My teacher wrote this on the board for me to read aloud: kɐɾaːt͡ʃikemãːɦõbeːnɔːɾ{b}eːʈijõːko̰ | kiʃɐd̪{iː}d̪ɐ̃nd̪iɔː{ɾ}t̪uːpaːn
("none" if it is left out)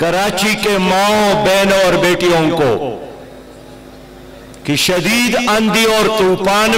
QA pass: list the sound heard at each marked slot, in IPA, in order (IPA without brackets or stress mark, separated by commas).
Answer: b, iː, ɾ